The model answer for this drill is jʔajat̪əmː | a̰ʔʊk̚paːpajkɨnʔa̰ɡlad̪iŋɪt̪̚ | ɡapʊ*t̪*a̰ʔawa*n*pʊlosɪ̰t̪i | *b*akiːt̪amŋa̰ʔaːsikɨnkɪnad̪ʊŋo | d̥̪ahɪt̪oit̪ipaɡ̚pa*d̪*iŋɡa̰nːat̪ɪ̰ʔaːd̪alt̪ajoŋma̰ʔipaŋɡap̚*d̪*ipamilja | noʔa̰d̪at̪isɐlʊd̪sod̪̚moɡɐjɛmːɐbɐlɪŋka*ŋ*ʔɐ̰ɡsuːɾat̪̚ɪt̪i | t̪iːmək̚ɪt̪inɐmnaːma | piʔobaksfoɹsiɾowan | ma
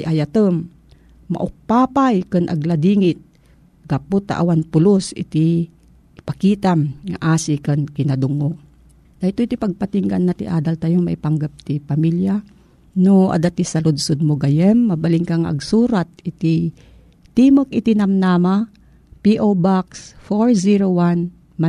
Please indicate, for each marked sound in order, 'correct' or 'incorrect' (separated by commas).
correct, correct, incorrect, incorrect, incorrect, correct